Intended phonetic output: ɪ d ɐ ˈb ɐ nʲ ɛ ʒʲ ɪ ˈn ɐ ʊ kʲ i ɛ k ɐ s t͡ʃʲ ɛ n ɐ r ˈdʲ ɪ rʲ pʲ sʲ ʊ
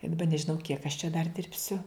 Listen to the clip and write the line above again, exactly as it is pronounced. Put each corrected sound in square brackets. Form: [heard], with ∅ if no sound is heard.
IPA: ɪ d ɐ ˈb ɐ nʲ ɛ ʒʲ ɪ ˈn ɐ ʊ kʲ i ɛ k ɐ [ʃ] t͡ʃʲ ɛ [d] ɐ r ˈdʲ ɪ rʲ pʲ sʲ ʊ

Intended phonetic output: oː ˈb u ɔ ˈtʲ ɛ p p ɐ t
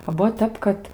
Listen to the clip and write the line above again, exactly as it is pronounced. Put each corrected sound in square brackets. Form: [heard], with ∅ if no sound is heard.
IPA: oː ˈb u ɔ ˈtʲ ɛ p [k] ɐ t

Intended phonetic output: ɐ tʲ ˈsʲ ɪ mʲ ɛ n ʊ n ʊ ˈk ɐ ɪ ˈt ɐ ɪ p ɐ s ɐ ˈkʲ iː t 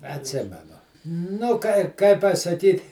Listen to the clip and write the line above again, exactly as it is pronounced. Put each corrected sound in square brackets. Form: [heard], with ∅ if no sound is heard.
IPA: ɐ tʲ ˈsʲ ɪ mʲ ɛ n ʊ n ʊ ˈk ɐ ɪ [ˈk] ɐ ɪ p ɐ s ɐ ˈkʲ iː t

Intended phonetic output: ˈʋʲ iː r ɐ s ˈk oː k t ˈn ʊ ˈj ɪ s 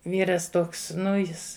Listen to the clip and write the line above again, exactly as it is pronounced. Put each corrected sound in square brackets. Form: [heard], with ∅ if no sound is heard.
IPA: ˈʋʲ iː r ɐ s [ˈt] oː k [s] ˈn ʊ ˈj ɪ s

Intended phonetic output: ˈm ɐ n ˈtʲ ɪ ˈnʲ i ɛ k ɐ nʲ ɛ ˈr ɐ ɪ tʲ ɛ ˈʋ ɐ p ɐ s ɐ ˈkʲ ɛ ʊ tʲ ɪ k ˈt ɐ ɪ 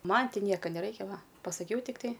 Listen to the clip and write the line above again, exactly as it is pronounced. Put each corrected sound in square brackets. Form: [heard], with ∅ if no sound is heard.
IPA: ˈm ɐ n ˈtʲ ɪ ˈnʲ i ɛ k ɐ nʲ ɛ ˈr ɐ ɪ [kʲ] ɛ ˈʋ ɐ p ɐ s ɐ ˈkʲ ɛ ʊ tʲ ɪ k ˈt ɐ ɪ

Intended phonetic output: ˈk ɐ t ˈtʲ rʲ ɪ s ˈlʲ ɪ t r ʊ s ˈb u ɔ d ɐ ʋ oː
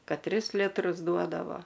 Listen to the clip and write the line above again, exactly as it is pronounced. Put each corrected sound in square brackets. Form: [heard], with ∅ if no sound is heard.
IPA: ˈk ɐ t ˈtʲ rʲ ɪ s ˈlʲ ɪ t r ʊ s [ˈd] u ɔ d ɐ ʋ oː

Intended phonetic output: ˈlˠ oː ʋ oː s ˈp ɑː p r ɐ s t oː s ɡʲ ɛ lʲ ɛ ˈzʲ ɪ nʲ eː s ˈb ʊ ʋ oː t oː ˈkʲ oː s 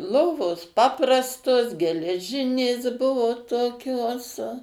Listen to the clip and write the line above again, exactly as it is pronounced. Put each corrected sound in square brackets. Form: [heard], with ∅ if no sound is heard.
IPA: ˈlˠ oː ʋ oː s ˈp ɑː p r ɐ s t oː s ɡʲ ɛ lʲ ɛ [ˈʒʲ] ɪ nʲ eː s ˈb ʊ ʋ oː t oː ˈkʲ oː s

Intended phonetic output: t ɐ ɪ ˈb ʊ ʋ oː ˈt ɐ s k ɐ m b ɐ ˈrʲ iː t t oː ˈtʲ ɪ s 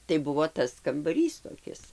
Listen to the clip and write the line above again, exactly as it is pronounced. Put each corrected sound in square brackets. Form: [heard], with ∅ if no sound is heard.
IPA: t ɐ ɪ ˈb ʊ ʋ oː ˈt ɐ s k ɐ m b ɐ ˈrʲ iː [s] t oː [ˈkʲ] ɪ s

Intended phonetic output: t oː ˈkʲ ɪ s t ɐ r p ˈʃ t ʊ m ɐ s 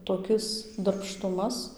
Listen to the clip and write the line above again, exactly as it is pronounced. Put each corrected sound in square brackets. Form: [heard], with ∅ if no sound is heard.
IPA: t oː ˈkʲ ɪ s [d] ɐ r p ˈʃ t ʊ m ɐ s

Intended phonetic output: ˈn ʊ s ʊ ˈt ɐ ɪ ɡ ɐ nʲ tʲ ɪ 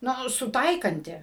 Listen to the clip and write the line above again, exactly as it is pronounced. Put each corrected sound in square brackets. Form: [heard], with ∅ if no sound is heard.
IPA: ˈn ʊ s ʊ ˈt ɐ ɪ [k] ɐ nʲ tʲ ɪ

